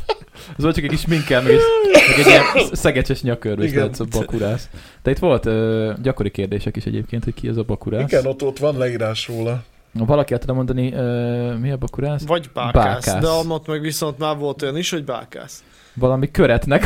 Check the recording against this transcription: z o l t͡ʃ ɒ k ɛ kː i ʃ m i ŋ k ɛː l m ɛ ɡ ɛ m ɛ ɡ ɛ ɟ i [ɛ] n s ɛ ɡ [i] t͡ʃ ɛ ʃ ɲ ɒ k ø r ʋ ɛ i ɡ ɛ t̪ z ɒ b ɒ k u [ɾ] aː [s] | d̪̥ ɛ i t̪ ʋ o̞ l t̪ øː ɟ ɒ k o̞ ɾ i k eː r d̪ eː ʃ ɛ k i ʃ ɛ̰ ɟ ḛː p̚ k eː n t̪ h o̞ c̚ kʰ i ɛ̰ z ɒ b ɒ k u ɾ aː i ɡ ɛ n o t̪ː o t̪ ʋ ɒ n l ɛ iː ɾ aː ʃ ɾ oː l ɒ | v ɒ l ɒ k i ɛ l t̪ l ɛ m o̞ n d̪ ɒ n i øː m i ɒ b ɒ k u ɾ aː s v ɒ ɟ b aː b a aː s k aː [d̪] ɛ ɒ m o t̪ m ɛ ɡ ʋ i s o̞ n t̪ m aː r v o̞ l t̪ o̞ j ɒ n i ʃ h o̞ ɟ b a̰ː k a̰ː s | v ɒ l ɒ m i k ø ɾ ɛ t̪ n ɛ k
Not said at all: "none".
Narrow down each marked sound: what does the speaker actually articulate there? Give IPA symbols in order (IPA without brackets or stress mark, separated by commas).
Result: ɛ, ɛ, ɾ, s, d̪